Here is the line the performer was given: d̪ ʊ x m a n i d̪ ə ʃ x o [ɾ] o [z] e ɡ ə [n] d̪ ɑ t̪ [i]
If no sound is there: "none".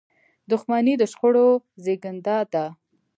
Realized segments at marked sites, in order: ɽ, z, n, a

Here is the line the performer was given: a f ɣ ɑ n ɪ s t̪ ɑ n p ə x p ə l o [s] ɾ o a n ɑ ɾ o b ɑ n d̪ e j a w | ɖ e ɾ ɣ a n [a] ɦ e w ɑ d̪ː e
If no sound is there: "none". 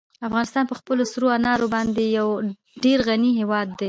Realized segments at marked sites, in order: s, i

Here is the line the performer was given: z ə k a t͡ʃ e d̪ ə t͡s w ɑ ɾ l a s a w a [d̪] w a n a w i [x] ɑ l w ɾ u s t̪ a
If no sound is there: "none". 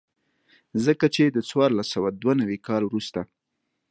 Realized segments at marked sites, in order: d̪, k

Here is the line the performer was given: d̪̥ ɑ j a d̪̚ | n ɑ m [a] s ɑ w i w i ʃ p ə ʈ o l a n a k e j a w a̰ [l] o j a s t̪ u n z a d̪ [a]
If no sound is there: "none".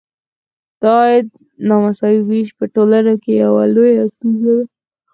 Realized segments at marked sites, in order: a, l, a

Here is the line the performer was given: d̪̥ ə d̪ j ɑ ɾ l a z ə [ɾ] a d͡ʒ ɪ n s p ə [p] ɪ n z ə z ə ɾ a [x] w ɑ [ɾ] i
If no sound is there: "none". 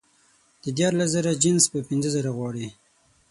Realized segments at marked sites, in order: ɾ, p, ɣ, ɽ

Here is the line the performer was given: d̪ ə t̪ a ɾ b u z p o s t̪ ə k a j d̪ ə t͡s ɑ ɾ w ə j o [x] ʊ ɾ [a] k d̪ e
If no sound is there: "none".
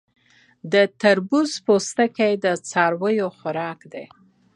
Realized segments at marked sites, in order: x, ɑ

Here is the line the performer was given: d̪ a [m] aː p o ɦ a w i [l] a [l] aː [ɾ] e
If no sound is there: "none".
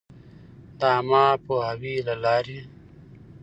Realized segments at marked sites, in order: m, l, l, ɾ

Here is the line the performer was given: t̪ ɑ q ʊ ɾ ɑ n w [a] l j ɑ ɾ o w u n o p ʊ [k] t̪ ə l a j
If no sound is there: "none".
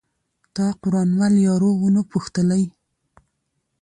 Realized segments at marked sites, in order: a, x

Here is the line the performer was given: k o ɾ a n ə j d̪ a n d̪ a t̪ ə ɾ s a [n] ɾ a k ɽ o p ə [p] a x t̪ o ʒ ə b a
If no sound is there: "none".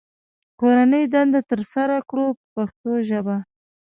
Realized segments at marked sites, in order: none, p

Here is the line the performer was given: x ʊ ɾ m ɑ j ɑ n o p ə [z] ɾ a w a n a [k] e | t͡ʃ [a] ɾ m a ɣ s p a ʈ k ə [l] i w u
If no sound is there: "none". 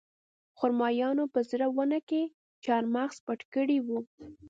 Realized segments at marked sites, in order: z, k, ɑ, ɽ

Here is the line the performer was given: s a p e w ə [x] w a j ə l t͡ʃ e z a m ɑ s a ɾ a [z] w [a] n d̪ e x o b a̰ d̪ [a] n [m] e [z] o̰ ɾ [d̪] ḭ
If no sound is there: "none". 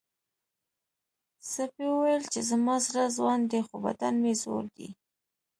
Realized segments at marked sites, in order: none, z, ɑ, a, m, z, d̪

